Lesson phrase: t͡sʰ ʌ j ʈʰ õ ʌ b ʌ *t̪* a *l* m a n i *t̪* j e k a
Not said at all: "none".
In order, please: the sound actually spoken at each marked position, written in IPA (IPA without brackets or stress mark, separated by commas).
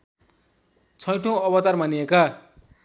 t̪, r, none